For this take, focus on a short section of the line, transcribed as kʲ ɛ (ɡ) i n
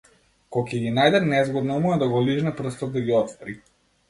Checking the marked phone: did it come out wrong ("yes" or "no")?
no